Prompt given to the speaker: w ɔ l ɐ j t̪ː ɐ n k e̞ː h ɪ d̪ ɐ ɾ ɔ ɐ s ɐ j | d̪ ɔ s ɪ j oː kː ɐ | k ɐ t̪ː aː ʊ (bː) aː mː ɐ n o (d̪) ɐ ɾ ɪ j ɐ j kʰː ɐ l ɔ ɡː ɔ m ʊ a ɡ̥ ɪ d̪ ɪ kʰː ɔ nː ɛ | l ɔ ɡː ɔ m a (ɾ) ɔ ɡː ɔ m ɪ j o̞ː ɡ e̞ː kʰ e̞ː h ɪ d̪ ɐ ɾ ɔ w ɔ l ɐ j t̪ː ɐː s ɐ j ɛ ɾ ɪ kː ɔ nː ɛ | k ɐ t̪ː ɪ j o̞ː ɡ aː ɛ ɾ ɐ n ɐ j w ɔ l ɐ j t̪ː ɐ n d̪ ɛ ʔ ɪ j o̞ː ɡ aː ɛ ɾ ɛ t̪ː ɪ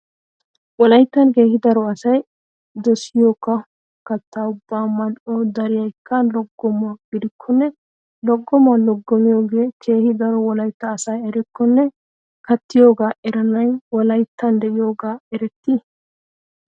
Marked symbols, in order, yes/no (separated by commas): yes, yes, no